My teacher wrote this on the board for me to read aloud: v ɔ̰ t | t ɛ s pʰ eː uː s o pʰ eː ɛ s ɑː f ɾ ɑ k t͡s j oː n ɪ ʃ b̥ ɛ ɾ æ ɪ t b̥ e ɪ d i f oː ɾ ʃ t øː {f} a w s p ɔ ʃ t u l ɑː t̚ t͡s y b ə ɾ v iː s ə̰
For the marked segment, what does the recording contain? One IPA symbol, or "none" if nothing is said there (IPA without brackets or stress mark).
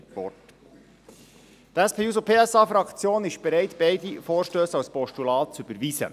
s